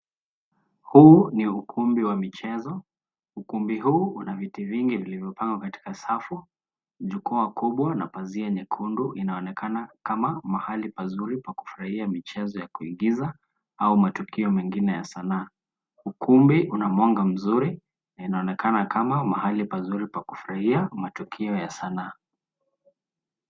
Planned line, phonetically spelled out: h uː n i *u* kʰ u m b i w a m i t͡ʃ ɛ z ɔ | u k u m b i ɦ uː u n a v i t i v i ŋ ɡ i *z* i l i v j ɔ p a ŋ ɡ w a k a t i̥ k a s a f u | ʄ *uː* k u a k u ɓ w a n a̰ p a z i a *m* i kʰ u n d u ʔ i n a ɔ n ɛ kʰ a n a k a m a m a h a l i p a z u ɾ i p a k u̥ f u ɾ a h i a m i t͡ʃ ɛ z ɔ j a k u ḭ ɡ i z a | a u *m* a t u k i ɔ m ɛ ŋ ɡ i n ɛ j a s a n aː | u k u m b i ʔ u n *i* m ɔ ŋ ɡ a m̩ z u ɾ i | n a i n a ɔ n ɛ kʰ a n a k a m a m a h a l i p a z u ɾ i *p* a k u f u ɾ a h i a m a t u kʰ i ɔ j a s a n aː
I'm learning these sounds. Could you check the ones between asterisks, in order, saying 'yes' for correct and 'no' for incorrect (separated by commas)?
yes, no, no, no, yes, no, yes